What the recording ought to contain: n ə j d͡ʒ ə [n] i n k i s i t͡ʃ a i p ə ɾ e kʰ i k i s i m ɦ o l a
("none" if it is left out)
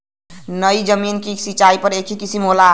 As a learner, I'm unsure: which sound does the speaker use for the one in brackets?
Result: m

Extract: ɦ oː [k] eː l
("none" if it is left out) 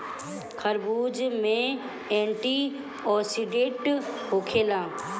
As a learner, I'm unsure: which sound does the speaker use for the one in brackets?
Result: kʰ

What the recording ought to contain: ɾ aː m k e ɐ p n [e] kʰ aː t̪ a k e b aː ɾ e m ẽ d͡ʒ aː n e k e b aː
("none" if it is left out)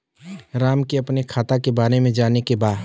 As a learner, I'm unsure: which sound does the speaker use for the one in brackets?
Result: e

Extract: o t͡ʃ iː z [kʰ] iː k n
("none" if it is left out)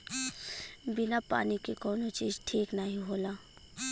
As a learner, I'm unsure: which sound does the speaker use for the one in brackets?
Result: ʈʰ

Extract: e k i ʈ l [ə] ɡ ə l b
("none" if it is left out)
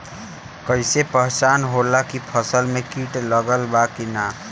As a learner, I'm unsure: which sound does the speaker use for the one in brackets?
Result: ə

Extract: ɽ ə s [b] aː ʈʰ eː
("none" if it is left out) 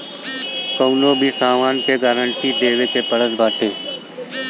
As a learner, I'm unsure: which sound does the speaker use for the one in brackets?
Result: b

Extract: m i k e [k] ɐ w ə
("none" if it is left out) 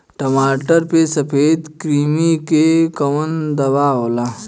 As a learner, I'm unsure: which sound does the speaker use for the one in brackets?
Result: k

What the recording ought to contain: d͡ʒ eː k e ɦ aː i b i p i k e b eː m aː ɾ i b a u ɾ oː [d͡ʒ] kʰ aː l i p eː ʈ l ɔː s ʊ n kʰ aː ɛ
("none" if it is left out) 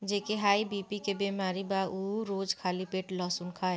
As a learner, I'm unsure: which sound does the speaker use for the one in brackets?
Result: d͡ʒ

